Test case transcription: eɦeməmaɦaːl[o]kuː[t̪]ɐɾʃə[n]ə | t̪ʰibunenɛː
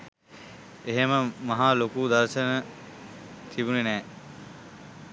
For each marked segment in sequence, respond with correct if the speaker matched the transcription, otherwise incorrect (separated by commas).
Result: correct, incorrect, correct